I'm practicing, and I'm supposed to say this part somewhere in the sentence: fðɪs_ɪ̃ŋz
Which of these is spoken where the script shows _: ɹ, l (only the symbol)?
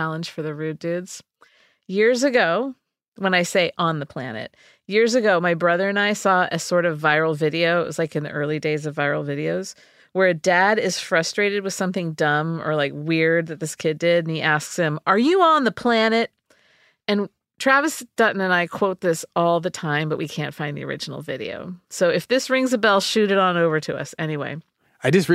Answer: ɹ